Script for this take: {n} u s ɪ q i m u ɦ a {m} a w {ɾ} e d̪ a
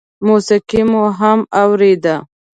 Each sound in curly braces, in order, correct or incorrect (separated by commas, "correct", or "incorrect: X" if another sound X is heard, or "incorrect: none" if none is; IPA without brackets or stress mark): incorrect: m, correct, correct